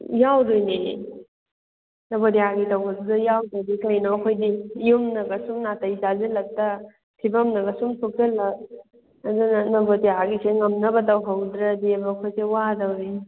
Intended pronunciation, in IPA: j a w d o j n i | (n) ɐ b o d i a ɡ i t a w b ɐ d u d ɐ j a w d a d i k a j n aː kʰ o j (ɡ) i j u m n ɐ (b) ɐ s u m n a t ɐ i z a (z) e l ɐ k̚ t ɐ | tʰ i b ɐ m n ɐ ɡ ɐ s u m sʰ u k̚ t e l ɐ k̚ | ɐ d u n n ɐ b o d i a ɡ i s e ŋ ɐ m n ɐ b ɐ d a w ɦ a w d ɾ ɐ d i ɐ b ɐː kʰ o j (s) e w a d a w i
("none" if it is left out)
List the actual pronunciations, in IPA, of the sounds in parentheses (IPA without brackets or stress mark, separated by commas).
n, d, ɡ, z, s